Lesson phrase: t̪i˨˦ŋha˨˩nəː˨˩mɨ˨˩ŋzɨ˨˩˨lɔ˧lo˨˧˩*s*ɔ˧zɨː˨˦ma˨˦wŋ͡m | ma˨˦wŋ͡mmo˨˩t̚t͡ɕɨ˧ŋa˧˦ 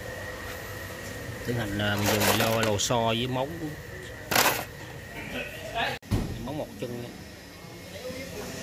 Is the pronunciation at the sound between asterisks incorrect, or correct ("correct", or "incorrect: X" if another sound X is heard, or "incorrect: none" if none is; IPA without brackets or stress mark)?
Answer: correct